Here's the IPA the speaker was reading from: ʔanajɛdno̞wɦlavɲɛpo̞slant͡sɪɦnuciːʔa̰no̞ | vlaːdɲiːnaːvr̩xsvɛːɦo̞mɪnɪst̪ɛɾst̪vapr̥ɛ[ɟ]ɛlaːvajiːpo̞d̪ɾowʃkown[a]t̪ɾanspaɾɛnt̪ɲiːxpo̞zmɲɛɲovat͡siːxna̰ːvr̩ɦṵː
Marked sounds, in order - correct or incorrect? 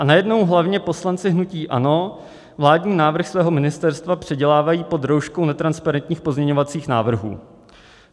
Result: correct, incorrect

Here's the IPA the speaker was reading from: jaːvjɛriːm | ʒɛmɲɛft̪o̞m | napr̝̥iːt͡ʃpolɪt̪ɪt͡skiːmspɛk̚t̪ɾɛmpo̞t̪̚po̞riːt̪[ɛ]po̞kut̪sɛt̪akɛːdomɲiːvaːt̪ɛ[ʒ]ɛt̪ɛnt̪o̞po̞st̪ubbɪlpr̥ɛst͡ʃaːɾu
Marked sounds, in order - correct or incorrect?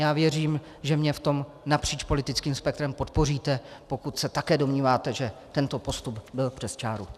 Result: correct, correct

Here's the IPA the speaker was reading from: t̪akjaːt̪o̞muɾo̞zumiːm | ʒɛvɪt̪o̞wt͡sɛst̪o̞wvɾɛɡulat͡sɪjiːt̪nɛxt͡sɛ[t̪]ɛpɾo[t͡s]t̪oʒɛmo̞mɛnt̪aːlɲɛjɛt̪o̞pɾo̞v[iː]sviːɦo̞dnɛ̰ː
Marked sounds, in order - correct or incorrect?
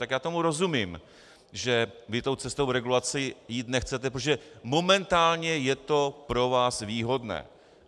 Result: correct, incorrect, incorrect

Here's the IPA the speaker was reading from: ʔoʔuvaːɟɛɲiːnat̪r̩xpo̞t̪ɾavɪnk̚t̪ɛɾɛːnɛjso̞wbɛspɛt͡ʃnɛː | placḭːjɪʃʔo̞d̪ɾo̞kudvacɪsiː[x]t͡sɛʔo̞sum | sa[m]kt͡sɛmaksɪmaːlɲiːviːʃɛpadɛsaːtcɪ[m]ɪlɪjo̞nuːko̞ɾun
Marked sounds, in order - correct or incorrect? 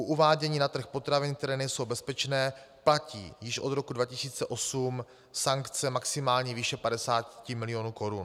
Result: incorrect, incorrect, correct

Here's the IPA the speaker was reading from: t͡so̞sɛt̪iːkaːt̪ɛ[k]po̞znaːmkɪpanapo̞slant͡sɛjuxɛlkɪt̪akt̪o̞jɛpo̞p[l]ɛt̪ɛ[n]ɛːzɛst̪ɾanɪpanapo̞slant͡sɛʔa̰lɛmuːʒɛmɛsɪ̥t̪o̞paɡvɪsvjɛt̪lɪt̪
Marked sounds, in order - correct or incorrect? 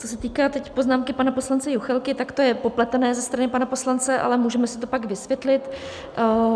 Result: incorrect, correct, correct

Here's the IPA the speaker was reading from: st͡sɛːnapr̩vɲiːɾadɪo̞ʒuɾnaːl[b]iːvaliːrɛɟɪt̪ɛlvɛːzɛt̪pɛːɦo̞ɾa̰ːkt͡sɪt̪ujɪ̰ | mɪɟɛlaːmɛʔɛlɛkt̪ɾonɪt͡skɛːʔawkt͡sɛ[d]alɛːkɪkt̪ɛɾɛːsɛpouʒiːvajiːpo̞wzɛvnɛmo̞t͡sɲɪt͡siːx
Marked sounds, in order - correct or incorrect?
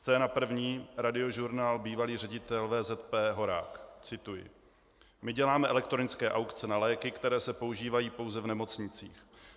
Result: correct, incorrect

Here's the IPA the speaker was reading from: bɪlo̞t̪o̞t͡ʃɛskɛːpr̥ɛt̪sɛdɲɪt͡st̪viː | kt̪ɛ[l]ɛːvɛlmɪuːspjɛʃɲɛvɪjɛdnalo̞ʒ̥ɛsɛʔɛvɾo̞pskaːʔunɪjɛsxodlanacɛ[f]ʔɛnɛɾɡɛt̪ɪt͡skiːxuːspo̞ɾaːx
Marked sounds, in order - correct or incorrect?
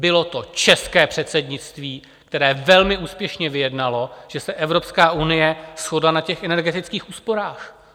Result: incorrect, incorrect

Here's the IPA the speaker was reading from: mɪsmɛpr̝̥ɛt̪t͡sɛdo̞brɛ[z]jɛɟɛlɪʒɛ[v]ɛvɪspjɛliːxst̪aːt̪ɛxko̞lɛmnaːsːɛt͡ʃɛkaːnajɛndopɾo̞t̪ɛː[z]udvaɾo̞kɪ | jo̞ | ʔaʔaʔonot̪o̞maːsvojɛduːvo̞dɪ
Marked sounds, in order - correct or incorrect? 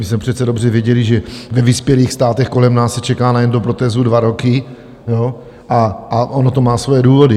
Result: incorrect, correct, correct

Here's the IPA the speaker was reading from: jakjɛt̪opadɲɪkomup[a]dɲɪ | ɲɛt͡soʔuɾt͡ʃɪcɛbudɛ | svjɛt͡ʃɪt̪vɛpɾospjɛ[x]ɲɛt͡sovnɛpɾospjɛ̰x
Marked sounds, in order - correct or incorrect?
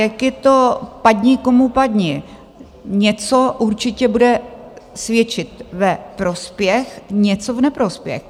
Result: correct, correct

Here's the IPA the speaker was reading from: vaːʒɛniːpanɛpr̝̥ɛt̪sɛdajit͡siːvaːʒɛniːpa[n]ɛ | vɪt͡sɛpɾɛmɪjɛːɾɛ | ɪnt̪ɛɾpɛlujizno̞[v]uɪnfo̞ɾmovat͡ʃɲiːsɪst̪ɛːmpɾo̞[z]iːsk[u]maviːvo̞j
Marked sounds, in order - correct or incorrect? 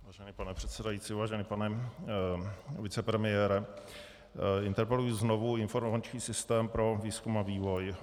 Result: correct, correct, incorrect, correct

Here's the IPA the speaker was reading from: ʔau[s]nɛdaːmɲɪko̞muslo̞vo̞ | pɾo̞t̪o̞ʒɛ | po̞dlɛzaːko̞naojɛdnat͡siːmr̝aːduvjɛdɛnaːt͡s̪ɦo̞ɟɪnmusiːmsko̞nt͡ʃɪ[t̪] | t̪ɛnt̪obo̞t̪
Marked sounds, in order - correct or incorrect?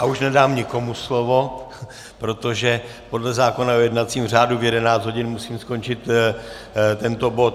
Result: incorrect, correct

